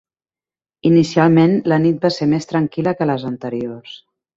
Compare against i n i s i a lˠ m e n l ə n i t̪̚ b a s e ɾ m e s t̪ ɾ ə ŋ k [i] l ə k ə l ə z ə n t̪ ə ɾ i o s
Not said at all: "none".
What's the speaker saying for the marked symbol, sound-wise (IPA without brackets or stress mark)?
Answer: i